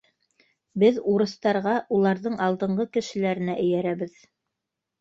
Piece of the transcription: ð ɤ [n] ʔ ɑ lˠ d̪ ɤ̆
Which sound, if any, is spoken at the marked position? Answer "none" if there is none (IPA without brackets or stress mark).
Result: ɴ